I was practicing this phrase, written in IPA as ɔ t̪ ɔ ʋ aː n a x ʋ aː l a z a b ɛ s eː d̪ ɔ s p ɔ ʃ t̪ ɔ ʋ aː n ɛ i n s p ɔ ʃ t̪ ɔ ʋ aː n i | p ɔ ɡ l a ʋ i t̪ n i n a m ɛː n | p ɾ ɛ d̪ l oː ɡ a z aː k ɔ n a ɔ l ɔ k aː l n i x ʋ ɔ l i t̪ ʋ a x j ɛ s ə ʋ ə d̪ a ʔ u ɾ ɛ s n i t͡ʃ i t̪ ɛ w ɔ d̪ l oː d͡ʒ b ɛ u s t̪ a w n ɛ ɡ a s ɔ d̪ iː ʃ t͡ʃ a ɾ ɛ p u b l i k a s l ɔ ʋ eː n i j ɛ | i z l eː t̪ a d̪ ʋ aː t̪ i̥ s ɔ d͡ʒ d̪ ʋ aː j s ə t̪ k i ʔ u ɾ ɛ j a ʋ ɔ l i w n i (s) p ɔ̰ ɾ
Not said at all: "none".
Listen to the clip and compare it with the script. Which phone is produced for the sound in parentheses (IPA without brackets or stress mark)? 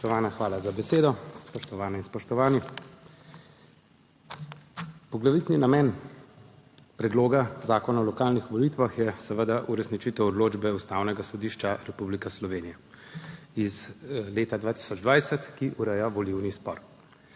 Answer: s